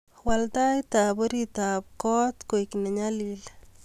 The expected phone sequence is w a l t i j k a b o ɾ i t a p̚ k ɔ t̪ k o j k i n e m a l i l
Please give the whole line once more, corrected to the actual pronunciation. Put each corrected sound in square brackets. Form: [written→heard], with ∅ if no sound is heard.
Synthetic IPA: w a l t [i→a] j [k→t] a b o ɾ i t a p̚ k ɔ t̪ k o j k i n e [m→ɲ] a l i l